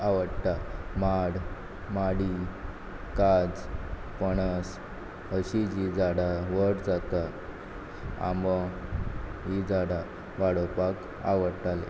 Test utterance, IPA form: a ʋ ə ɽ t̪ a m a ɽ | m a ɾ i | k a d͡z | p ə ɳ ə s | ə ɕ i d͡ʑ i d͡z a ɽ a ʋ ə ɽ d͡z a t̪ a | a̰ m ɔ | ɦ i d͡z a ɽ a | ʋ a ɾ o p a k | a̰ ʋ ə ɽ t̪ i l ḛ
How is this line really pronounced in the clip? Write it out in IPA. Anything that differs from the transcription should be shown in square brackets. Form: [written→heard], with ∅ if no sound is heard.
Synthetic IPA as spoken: a ʋ ə ɽ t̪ a m a ɽ | m a [ɾ→ɽ] i | k a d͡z | p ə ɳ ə s | ə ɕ i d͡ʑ i d͡z a ɽ a ʋ ə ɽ d͡z a t̪ a | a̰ m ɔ | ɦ i d͡z a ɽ a | ʋ a [ɾ→ɽ] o p a k | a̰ ʋ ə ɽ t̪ [i→a] l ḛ